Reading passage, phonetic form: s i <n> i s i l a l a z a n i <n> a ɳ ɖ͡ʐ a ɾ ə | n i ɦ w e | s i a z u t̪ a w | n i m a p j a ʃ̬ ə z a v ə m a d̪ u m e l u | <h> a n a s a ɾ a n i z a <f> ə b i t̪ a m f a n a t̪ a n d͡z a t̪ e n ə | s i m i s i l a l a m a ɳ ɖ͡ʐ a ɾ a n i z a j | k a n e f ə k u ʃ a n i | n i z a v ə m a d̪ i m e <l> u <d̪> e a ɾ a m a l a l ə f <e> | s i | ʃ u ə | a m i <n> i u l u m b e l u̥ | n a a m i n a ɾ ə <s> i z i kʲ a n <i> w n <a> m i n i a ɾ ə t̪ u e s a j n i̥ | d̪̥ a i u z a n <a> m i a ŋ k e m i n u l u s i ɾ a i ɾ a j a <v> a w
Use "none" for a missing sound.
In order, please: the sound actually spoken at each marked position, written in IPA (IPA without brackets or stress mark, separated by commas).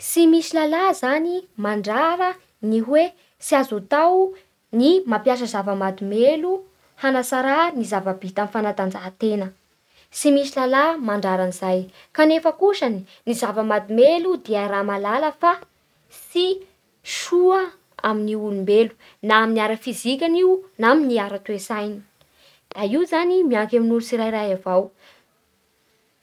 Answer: m, m, h, v, l, d̪, a, n, f, i, a, i, v